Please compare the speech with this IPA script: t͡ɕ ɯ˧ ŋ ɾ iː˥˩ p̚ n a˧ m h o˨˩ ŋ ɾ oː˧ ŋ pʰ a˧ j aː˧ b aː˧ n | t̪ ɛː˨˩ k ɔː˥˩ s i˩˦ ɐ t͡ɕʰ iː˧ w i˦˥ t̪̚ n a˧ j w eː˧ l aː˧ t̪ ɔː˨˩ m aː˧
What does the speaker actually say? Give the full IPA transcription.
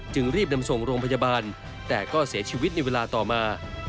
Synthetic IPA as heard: t͡ɕ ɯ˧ ŋ ɾ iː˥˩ p̚ n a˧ m s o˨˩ ŋ ɾ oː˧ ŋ pʰ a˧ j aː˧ b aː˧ n | t̪ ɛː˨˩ k ɔː˥˩ s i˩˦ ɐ t͡ɕʰ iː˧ w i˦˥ t̪̚ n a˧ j w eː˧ l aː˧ t̪ ɔː˨˩ m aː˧

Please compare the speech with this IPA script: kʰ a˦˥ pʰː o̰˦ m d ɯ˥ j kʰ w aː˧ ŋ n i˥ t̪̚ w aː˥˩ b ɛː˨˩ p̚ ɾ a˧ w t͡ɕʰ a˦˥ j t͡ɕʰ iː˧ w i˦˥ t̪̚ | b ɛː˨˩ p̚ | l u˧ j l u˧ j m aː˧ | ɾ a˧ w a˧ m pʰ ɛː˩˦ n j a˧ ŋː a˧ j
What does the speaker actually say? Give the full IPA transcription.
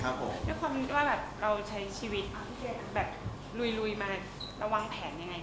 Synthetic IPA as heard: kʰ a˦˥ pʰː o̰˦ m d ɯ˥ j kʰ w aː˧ m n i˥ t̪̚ w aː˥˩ b ɛː˨˩ p̚ ɾ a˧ w t͡ɕʰ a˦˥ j t͡ɕʰ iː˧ w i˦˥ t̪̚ | b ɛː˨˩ p̚ | l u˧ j l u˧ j m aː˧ | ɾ a˧ w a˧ ŋ pʰ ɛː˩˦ n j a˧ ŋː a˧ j

